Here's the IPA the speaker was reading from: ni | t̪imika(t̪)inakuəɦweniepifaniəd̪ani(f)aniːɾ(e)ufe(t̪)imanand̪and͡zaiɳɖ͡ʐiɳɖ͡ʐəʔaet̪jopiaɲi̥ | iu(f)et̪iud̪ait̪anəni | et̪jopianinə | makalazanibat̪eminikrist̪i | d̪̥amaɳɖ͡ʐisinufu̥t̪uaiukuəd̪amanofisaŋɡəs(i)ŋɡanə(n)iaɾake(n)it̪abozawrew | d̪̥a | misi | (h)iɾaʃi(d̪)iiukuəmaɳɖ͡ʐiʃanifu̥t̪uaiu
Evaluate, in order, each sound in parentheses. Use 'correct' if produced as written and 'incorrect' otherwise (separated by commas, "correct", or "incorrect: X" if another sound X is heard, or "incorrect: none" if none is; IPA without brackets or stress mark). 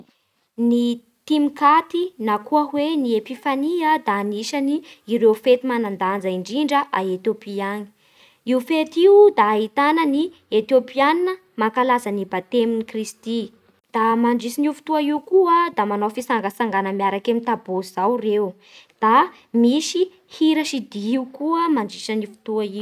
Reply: correct, incorrect: ʃ, correct, correct, correct, incorrect: a, incorrect: m, incorrect: m, correct, correct